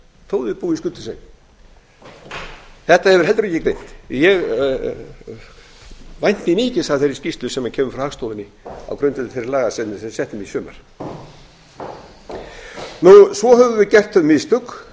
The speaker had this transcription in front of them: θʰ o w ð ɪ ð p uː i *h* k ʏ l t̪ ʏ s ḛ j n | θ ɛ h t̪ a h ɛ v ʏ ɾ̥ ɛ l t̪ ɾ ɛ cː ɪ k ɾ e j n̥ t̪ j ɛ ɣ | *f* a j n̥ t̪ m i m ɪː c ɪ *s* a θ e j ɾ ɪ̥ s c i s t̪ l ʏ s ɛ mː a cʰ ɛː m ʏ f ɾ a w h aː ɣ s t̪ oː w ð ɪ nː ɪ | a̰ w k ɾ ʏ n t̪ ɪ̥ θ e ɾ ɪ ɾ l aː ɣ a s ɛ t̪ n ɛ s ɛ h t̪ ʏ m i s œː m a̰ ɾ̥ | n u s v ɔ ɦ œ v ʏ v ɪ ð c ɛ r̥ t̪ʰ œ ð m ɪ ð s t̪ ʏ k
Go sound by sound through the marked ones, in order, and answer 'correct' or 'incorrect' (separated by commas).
incorrect, incorrect, correct